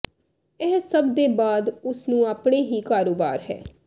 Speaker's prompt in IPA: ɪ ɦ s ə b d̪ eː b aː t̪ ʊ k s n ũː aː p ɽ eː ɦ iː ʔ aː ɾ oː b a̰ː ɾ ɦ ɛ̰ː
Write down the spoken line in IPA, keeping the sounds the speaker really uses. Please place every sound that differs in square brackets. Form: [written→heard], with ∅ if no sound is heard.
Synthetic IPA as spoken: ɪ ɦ s ə b d̪ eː b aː [t̪→d̪] ʊ [k→∅] s n ũː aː p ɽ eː ɦ iː [ʔ→k] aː ɾ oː b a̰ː ɾ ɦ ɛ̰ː